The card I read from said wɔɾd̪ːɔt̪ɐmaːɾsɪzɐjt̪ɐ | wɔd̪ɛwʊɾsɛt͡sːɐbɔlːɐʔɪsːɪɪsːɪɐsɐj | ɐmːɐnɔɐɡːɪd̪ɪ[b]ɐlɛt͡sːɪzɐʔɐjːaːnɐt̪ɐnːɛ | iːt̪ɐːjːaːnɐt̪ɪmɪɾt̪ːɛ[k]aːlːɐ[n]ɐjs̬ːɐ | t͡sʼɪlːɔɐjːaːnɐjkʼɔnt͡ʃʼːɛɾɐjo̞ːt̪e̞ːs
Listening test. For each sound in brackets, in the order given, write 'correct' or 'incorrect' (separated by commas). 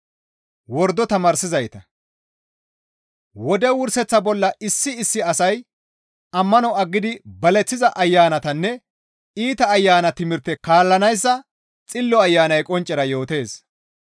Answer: correct, correct, correct